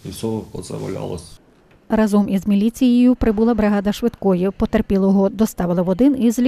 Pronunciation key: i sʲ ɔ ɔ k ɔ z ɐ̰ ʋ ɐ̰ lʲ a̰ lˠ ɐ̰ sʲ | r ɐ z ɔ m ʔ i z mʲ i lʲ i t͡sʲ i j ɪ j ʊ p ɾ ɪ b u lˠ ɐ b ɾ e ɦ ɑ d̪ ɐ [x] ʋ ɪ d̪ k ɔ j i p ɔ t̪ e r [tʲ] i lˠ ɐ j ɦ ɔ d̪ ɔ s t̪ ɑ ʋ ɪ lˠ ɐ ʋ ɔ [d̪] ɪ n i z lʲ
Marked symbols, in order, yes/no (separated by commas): no, no, yes